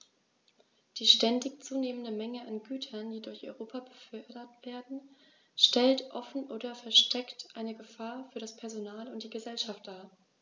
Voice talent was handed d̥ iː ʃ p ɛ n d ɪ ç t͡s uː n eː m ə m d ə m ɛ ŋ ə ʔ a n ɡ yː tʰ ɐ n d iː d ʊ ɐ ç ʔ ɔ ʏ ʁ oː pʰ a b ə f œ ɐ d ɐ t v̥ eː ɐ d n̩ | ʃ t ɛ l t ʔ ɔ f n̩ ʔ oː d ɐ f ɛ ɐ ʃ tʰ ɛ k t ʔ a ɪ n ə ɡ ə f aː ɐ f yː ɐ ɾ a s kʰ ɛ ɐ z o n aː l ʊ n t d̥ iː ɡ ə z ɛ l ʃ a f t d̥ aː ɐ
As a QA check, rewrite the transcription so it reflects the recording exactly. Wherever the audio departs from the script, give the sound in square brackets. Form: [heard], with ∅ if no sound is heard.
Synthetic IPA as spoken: d̥ iː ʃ [t] ɛ n d ɪ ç t͡s uː n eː m ə [n] d ə m ɛ ŋ ə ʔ a n ɡ yː tʰ ɐ n d iː d ʊ ɐ ç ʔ ɔ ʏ ʁ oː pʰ a b ə f œ ɐ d ɐ t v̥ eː ɐ d n̩ | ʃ t ɛ l t ʔ ɔ f n̩ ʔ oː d ɐ f ɛ ɐ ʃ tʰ ɛ k t ʔ a ɪ n ə ɡ ə f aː ɐ f yː ɐ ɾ a s [pʰ] ɛ ɐ z o n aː l ʊ n t d̥ iː ɡ ə z ɛ l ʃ a f t d̥ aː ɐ